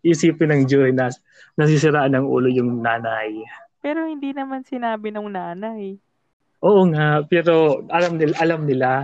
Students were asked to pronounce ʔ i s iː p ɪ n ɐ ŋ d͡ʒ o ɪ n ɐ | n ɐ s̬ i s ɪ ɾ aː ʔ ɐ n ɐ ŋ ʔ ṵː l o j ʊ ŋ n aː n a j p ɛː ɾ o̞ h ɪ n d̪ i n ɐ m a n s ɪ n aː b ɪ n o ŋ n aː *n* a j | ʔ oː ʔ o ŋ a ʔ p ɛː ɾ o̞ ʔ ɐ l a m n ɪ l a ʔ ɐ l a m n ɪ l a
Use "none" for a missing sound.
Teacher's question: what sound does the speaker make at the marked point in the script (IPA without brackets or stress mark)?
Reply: n